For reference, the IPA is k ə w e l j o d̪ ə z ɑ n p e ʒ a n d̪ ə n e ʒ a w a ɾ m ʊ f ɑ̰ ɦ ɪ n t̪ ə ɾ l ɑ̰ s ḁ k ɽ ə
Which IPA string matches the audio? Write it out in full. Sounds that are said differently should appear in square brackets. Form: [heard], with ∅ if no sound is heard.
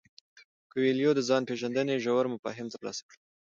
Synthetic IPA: k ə w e l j o d̪ ə z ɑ n p e ʒ a n d̪ ə n e ʒ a w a ɾ m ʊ f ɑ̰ ɦ ɪ [m] t̪ ə ɾ l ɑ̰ s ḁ k ɽ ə